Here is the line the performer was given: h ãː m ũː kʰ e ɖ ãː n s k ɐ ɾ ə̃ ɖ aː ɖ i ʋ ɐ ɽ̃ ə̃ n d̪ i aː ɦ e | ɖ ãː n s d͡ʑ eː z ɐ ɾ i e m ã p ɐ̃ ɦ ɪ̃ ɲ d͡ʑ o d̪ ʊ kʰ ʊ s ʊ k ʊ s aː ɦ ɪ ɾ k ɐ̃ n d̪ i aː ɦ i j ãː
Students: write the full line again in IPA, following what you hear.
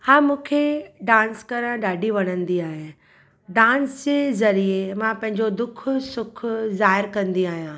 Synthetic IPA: h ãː m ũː kʰ e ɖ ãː n s k ɐ ɾ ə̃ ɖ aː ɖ i ʋ ɐ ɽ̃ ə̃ n d̪ i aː ɦ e | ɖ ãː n s d͡ʑ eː z ɐ ɾ i e m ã p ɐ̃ ɦ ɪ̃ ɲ d͡ʑ o d̪ ʊ kʰ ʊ s ʊ kʰ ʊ z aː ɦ ɪ ɾ k ɐ̃ n d̪ i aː ɦ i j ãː